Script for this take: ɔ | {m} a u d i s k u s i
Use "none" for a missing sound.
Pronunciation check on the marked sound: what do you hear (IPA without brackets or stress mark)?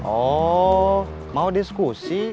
m